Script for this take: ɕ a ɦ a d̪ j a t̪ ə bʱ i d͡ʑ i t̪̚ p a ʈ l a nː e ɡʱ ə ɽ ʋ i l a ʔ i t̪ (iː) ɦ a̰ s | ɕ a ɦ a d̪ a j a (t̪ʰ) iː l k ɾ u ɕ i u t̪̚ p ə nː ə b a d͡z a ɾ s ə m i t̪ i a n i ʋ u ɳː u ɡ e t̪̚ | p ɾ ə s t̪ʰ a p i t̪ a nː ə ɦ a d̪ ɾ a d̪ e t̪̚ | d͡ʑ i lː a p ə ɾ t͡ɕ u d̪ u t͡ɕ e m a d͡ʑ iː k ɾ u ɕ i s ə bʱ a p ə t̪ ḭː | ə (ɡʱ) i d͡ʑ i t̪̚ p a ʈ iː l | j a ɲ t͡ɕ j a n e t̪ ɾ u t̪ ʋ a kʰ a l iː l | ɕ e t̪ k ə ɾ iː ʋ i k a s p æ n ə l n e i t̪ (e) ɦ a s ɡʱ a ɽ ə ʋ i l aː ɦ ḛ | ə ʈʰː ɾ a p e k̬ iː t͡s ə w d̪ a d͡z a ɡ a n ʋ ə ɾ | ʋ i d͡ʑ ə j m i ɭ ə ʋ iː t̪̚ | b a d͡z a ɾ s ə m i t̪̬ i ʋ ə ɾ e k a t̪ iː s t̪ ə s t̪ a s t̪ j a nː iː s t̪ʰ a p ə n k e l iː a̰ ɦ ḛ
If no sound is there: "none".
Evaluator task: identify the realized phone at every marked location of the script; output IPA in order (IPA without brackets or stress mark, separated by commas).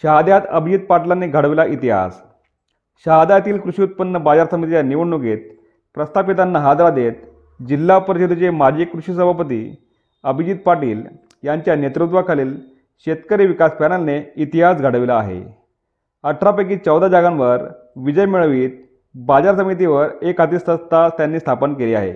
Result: i, t̪, bʱ, i